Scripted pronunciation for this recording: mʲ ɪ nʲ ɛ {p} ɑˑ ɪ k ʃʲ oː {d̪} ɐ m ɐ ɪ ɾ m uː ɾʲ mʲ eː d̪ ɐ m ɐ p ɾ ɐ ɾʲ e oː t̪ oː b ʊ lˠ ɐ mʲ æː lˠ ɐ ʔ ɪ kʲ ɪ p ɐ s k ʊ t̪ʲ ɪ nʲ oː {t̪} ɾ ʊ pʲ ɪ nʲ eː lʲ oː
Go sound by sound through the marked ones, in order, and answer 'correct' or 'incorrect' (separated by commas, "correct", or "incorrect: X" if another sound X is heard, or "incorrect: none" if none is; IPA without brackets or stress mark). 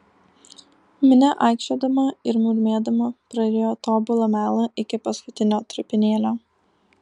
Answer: incorrect: ʔ, correct, correct